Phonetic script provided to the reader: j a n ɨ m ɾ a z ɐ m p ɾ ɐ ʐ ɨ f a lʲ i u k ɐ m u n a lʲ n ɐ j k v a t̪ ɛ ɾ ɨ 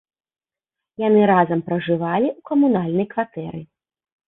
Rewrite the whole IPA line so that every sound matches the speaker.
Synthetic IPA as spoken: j a n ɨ ɾ a z ɐ m p ɾ ɐ ʐ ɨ v a lʲ i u k ɐ m u n a lʲ n ɐ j k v a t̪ ɛ ɾ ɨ